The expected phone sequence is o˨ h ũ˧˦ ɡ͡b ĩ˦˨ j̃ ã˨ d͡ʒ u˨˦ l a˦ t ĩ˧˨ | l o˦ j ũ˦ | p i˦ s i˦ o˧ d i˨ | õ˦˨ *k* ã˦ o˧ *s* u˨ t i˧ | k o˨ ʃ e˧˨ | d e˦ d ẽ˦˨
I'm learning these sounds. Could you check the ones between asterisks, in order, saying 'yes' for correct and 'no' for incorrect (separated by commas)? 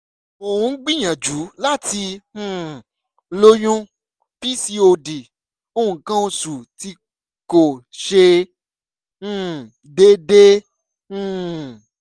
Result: yes, yes